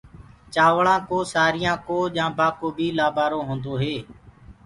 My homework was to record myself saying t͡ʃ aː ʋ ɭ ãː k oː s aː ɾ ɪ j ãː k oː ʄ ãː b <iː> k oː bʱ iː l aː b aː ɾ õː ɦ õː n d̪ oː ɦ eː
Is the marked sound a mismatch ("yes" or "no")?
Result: yes